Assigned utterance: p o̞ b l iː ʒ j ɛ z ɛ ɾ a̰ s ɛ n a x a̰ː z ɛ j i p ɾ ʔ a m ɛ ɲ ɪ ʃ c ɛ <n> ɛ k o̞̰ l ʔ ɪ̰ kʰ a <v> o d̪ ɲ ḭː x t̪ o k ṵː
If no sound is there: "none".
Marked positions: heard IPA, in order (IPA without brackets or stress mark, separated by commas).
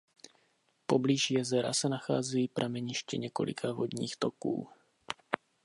ɲ, v